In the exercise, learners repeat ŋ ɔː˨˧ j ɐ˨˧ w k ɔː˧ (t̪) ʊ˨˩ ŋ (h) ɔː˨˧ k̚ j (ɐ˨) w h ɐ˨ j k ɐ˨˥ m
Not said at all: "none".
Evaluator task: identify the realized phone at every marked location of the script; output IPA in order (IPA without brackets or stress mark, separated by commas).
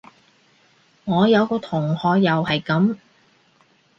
t̪ʰ, h, ɐ˨